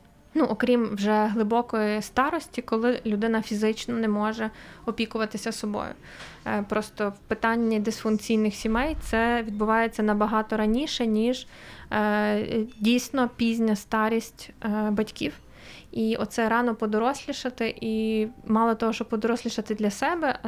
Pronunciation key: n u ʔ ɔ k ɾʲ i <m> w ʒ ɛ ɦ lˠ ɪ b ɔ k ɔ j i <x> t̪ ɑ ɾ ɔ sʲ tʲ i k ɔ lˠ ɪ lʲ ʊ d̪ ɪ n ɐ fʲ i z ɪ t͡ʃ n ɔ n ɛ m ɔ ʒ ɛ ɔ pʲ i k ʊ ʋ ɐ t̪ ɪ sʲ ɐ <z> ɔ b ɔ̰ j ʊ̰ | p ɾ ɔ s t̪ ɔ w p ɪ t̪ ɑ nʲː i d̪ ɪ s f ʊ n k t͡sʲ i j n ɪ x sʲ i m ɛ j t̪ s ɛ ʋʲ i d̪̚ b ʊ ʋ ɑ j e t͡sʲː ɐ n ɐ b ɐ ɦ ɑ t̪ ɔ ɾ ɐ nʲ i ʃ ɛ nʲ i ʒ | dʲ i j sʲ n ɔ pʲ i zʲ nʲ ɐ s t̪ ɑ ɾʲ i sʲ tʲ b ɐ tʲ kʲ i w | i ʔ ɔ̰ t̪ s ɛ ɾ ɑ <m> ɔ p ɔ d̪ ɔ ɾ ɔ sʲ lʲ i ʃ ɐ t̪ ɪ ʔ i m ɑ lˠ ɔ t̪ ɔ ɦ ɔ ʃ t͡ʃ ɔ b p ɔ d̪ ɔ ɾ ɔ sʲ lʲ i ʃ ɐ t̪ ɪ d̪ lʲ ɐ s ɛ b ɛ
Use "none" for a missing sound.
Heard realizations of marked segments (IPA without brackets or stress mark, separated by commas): m, s, s, n